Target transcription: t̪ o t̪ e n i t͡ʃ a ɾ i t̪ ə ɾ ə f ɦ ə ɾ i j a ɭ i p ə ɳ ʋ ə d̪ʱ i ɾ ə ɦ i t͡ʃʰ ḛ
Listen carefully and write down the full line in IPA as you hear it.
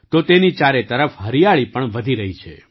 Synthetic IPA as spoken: t̪ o t̪ e n i t͡ʃ a ɾ e t̪ ə ɾ ə f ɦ ə ɾ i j a ɭ i p ə ɳ ʋ ə d̪ʱ i ɾ ə ɦ i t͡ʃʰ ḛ